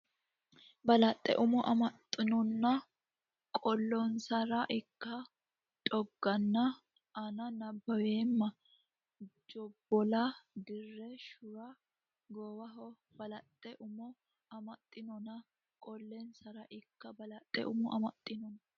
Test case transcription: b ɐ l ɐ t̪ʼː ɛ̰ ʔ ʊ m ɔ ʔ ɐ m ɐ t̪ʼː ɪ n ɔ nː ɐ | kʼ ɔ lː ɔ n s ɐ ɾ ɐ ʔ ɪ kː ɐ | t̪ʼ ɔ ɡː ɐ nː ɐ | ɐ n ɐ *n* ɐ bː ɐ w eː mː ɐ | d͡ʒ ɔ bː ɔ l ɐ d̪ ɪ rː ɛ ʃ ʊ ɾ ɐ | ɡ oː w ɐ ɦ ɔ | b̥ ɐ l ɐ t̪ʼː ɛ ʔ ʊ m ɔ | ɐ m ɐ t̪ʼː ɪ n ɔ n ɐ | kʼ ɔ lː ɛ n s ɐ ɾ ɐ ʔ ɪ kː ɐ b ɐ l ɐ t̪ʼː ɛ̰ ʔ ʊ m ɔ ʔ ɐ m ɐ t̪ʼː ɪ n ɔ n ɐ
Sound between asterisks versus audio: correct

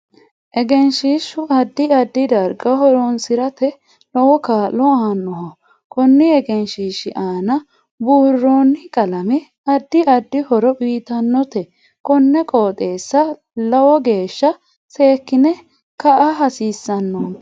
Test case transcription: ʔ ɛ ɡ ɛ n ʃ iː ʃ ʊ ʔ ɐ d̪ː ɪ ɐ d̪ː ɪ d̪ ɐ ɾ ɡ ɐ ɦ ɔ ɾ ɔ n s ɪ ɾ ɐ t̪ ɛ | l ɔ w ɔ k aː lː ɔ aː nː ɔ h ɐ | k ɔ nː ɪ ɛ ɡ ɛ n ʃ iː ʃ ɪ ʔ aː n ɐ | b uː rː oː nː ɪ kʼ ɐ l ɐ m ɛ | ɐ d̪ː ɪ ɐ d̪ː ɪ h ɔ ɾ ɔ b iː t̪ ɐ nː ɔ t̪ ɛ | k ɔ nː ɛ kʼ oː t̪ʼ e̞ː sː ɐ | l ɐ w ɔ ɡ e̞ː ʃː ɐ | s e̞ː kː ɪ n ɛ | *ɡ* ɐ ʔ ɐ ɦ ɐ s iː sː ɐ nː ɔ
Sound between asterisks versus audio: incorrect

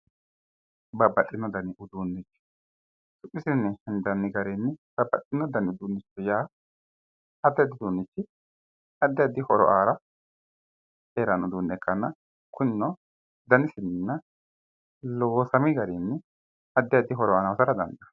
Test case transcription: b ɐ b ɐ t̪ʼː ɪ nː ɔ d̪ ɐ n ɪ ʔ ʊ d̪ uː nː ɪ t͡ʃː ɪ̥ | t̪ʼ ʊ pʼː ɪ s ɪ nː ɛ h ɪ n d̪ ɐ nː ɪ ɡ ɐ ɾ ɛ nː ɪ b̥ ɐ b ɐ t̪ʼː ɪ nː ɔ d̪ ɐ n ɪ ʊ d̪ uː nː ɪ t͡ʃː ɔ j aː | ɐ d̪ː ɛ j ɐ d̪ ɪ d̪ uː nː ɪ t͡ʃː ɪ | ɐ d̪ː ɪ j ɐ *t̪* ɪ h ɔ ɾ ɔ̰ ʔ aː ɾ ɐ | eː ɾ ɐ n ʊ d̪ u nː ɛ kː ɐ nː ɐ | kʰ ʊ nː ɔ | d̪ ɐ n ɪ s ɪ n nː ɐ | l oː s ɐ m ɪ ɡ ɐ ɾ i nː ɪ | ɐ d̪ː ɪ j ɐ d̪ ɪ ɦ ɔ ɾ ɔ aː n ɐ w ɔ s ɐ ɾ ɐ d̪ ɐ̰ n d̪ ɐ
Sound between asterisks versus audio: incorrect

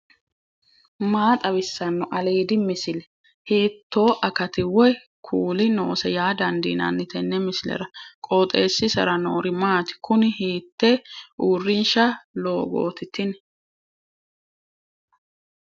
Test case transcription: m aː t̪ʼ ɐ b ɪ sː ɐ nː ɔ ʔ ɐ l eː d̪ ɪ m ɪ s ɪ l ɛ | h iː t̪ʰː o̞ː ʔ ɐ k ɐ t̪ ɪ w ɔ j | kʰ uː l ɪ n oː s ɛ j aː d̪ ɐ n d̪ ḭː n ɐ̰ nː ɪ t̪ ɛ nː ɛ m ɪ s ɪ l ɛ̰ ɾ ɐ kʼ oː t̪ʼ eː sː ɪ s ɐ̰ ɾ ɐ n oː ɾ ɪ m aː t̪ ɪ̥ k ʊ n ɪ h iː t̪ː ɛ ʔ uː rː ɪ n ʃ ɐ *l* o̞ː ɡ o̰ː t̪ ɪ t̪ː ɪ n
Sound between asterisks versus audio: correct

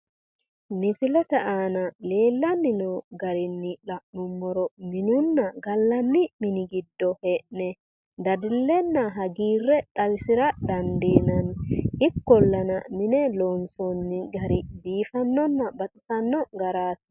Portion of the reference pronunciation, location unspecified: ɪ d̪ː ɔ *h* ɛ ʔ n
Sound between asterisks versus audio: correct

